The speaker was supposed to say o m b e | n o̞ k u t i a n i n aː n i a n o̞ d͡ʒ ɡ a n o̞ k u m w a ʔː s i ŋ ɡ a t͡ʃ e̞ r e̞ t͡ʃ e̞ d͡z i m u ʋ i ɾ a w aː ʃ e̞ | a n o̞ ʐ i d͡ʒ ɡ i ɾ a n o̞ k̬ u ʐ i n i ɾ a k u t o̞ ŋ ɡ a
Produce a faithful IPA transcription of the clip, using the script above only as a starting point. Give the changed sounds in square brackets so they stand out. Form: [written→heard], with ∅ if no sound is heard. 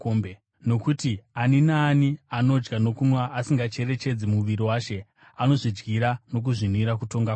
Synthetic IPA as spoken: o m b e | n o̞ k u t i a n i n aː n i a n o̞ d͡ʒ ɡ a n o̞ k u m w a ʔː s i ŋ ɡ a t͡ʃ e̞ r e̞ t͡ʃ e̞ d͡z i m u ʋ i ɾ [a→i] w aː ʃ e̞ | a n o̞ ʐ i d͡ʒ ɡ i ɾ a n o̞ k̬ u ʐ i n i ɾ a k u t o̞ ŋ ɡ a